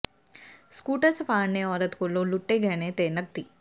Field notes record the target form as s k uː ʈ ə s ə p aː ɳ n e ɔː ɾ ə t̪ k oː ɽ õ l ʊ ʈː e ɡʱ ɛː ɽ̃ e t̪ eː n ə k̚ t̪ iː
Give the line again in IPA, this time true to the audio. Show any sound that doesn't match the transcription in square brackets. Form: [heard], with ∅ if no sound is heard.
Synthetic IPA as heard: s k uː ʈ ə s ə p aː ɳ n e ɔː ɾ ə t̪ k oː [l] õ l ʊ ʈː e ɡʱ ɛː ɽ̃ e t̪ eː n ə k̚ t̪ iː